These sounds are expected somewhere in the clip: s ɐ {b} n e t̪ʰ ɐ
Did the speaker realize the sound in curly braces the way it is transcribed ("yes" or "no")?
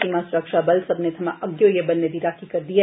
yes